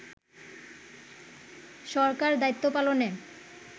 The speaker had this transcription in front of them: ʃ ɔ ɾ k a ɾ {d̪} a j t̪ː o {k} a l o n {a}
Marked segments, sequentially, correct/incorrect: correct, incorrect: p, incorrect: e

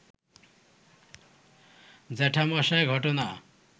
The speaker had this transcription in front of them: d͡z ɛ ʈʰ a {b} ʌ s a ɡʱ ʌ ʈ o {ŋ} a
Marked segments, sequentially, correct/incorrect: incorrect: m, incorrect: n

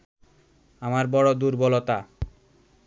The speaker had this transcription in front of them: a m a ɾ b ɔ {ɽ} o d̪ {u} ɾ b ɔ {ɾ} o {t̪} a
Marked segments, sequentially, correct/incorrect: correct, correct, incorrect: l, correct

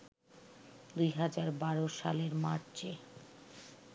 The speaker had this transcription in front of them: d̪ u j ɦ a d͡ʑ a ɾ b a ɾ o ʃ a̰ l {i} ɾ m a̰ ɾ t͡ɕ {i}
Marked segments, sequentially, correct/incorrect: incorrect: e, incorrect: e

